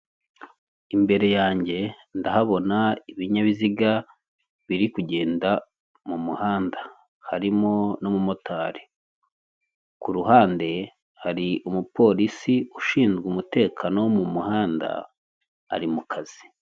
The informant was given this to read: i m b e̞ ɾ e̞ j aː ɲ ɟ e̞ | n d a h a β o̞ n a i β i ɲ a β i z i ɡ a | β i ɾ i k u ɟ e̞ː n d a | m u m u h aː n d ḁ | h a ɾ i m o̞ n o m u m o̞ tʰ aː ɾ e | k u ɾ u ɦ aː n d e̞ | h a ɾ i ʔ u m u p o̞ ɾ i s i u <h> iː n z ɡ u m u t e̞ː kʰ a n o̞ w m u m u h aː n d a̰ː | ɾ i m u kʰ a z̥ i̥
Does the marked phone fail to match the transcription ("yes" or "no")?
yes